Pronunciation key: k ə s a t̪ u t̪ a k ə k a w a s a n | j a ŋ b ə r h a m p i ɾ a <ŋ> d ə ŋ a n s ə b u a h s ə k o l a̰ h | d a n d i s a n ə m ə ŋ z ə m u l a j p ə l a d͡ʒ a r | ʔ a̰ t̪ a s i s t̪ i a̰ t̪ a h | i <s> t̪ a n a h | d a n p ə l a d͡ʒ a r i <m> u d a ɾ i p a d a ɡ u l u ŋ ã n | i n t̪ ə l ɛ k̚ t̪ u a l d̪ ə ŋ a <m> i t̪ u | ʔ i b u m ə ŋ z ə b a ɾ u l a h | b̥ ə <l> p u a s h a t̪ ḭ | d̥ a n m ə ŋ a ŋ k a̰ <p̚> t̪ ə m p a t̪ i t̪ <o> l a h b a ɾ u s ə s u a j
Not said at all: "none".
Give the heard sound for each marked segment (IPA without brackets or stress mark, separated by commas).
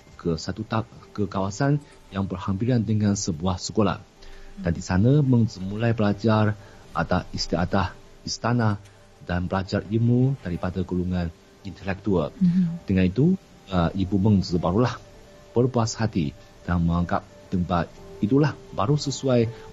n, s, m, n, r, p̚, u